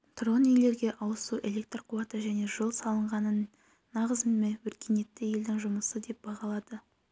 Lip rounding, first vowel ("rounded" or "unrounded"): rounded